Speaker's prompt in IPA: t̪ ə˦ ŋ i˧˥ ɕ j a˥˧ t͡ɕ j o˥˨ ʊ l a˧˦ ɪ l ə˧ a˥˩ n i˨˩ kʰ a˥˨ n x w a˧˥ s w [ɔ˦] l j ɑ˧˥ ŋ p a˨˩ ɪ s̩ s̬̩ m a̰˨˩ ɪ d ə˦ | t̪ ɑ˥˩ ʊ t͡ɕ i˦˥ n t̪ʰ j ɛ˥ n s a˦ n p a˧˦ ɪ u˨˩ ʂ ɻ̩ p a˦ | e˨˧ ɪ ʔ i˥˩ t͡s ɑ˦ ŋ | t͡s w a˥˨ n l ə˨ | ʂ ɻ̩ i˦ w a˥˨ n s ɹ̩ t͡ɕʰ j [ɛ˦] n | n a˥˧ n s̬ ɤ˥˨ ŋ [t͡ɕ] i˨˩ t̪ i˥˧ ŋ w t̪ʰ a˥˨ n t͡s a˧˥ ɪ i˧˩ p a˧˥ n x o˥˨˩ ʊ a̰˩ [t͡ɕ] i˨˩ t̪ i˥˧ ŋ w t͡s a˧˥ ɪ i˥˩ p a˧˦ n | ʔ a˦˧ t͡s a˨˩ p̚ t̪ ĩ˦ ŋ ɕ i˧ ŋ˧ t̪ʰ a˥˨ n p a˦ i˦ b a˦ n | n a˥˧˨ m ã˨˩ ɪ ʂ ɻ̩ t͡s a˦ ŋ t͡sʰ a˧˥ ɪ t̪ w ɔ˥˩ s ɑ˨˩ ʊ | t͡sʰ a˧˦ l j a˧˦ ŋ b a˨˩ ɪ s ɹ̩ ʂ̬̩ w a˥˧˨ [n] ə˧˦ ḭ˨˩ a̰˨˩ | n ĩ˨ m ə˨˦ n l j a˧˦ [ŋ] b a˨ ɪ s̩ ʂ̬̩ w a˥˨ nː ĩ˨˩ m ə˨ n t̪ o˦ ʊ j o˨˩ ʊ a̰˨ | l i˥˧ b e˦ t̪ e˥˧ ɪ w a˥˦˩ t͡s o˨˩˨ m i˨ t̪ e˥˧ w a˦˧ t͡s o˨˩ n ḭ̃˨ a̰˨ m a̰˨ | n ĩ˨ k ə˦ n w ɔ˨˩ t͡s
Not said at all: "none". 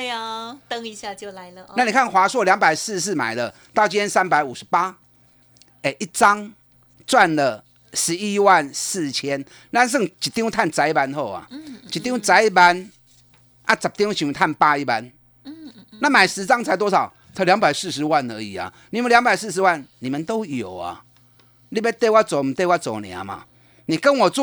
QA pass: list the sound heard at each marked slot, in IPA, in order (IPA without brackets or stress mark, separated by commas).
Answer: ɔ˥˩, ɛ˦, t͡ɕ, t͡ɕ, n, ŋ